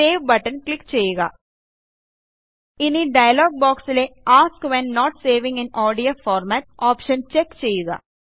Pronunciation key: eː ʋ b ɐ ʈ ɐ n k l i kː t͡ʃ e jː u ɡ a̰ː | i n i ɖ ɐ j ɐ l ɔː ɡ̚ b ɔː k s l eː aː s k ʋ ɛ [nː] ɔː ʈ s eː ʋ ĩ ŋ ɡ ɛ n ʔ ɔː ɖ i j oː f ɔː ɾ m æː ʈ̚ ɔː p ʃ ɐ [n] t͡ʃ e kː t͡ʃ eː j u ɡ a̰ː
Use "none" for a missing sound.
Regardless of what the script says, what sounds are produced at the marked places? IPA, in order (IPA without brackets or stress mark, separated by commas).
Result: nː, n